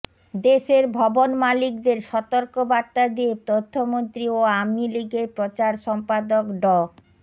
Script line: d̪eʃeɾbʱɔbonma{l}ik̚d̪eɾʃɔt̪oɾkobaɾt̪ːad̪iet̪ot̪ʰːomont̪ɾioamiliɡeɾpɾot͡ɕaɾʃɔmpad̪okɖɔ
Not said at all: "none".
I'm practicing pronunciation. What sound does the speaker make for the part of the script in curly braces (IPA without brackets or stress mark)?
l